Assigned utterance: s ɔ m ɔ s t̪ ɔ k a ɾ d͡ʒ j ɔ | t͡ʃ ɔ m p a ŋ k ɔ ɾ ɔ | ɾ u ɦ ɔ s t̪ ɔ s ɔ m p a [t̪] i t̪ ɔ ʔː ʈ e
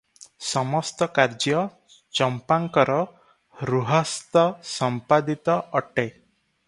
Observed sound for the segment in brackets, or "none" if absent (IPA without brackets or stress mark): d̪